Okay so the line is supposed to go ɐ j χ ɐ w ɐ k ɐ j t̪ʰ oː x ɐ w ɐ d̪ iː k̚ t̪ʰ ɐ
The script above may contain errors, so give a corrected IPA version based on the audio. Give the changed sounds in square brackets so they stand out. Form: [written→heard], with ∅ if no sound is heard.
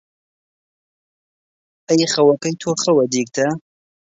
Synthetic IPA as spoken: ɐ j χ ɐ w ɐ k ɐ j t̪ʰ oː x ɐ w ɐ d̪ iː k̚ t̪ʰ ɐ